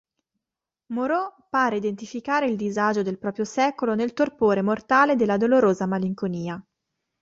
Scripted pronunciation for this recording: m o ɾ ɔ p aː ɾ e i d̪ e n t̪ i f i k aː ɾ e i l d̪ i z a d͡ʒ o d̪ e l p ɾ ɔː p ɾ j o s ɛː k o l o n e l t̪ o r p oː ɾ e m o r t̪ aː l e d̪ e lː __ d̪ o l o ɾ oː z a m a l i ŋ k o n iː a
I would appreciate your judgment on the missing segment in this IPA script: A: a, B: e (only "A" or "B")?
A